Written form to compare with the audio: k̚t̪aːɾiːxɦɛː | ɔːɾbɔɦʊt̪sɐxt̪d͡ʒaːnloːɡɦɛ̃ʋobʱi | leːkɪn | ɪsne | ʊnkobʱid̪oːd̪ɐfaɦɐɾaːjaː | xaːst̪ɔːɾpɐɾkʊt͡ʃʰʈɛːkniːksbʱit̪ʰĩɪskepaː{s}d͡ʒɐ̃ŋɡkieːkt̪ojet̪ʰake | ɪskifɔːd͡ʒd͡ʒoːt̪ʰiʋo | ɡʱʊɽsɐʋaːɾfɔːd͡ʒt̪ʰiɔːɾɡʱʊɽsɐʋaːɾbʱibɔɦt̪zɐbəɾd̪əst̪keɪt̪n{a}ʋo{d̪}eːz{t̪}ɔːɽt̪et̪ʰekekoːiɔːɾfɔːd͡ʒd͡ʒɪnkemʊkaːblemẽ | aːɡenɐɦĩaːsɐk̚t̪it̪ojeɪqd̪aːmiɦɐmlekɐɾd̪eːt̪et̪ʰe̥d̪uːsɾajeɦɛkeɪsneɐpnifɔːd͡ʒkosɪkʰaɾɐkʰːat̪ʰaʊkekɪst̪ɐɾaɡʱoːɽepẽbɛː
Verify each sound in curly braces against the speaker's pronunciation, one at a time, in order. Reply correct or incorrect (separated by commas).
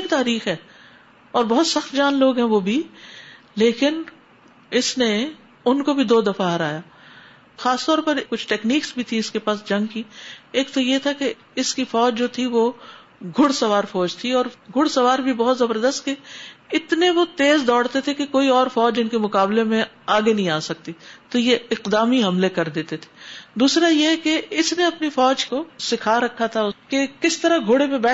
correct, incorrect, incorrect, incorrect